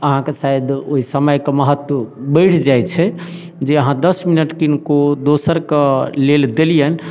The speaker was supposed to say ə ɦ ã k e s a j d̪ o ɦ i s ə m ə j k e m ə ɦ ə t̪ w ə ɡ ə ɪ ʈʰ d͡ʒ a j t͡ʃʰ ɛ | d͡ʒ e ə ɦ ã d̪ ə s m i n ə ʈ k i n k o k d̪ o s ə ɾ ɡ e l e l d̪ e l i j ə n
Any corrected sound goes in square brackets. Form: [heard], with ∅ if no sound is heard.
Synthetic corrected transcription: ə ɦ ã k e s a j d̪ o ɦ i s ə m ə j k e m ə ɦ ə t̪ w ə [b] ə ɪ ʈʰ d͡ʒ a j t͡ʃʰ ɛ | d͡ʒ e ə ɦ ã d̪ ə s m i n ə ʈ k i n k o [∅] d̪ o s ə ɾ [k] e l e l d̪ e l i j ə n